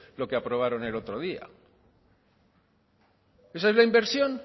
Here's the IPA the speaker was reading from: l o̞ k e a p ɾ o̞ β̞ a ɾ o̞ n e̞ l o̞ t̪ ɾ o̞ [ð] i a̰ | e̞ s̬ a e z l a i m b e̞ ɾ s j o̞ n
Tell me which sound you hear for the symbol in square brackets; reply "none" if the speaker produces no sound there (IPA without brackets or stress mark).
ð